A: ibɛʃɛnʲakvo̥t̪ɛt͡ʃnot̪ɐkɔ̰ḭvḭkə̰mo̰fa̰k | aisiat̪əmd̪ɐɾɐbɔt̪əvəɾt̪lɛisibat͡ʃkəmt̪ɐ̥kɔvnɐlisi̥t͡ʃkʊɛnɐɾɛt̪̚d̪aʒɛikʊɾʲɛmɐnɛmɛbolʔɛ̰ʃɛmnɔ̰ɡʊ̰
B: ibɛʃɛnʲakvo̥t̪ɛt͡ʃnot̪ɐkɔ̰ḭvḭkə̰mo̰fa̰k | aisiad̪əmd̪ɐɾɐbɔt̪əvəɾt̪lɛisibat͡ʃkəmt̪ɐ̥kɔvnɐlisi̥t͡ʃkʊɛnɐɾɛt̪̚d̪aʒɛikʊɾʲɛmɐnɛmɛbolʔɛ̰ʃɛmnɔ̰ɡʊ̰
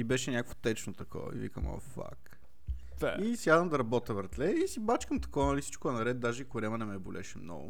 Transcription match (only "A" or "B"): B